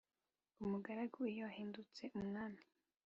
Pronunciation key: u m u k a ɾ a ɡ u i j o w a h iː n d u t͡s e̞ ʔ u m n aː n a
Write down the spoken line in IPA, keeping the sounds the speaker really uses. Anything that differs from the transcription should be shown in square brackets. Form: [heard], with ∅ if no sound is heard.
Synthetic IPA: u m u [ɡ] a ɾ a ɡ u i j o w a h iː n d u t͡s e̞ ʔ u m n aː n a